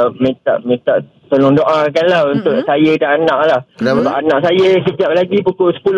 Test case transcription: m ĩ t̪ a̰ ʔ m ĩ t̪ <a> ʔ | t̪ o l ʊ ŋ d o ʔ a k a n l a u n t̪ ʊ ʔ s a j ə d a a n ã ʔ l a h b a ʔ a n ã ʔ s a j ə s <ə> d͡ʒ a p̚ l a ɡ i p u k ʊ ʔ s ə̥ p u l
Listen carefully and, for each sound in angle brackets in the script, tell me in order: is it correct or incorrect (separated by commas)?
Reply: correct, correct